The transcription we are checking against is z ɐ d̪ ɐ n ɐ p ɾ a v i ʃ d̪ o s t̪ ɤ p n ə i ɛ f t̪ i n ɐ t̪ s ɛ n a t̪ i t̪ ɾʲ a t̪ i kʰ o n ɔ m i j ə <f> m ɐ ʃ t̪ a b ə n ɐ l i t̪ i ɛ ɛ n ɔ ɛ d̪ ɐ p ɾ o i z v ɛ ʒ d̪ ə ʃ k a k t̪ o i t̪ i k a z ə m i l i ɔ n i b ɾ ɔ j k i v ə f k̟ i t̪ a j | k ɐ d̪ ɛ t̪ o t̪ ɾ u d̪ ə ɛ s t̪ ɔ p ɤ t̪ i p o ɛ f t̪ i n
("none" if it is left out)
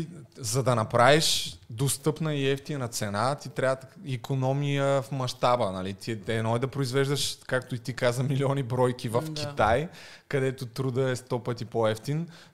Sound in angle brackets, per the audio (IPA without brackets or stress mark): f